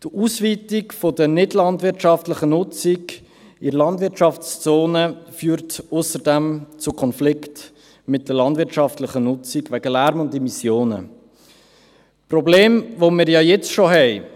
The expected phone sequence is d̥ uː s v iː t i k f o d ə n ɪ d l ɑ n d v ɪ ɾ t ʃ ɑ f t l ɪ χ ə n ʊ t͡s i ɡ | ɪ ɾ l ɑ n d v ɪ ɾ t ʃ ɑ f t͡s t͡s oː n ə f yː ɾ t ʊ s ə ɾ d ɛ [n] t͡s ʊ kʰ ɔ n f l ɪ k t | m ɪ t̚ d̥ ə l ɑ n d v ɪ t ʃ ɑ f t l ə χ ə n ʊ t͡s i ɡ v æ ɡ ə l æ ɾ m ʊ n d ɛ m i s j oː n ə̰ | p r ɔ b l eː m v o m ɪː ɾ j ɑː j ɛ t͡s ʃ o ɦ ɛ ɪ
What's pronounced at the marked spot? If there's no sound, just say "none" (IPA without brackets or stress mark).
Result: m